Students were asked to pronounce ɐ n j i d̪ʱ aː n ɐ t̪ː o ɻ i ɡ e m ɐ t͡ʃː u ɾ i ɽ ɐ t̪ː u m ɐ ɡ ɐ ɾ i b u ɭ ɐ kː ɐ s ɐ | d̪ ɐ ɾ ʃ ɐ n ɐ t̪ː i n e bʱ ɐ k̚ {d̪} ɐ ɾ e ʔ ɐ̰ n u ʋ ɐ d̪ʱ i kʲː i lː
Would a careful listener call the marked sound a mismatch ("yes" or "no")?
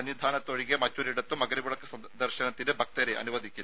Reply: yes